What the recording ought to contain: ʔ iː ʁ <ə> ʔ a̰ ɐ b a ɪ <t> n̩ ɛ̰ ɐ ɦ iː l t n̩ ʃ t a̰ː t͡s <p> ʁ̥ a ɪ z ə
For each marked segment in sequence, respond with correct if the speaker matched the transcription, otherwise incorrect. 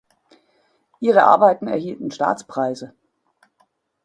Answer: correct, correct, correct

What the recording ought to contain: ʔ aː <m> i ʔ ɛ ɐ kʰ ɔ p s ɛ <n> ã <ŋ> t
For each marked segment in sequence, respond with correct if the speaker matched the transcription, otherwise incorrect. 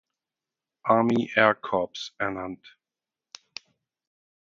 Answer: correct, correct, incorrect: n

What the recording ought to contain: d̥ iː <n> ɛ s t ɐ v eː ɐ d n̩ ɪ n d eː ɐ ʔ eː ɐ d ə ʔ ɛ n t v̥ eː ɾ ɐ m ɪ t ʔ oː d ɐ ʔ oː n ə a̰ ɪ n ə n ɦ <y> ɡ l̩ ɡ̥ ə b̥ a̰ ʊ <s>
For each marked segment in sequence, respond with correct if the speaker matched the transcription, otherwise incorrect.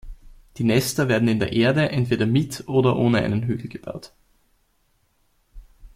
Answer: correct, incorrect: yː, incorrect: t

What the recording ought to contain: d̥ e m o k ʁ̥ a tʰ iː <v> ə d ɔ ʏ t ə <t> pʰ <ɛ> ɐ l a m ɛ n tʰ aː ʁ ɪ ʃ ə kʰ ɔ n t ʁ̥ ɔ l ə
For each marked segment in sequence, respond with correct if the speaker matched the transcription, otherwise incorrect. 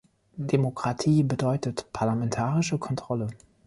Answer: incorrect: b, correct, incorrect: a

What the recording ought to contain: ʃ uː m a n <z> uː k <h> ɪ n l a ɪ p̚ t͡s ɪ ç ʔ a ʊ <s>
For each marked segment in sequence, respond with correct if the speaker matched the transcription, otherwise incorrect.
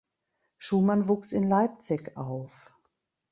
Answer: incorrect: v, incorrect: s, incorrect: f

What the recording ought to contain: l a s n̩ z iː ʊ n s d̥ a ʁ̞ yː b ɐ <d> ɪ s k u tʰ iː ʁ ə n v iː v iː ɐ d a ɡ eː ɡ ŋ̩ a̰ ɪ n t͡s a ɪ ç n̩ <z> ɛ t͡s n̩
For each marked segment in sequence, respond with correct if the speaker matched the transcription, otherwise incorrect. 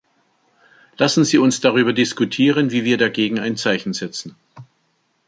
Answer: correct, correct

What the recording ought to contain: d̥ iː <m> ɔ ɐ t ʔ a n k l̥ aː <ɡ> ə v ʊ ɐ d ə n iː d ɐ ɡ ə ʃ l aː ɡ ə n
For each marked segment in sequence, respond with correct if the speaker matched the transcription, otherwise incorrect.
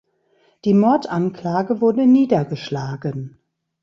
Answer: correct, correct

